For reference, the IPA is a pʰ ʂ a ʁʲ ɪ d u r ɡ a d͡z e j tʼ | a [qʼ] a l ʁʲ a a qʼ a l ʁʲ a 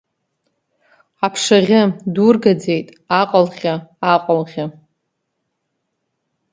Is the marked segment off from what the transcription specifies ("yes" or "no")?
no